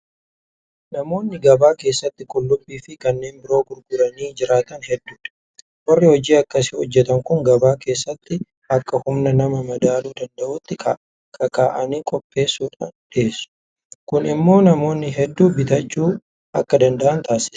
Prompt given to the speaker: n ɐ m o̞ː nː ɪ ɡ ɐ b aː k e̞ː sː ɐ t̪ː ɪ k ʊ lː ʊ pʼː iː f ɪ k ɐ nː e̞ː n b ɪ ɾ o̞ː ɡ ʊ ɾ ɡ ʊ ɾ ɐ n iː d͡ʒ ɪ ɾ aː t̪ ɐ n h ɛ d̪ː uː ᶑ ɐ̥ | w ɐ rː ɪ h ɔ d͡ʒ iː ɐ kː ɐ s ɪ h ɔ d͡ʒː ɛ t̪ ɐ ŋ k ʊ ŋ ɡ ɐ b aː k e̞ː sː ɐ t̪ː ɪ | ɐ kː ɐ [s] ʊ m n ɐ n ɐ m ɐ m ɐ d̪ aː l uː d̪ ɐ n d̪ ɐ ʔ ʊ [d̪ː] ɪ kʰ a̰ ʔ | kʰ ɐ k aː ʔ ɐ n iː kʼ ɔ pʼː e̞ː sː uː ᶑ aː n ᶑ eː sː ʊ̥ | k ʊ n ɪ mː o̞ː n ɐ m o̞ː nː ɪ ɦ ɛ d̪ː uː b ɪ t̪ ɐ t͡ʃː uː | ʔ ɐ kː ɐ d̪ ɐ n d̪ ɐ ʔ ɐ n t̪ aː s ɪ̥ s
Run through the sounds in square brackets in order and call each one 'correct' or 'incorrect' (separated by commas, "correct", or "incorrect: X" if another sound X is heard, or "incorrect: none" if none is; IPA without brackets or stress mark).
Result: incorrect: h, incorrect: t̪ː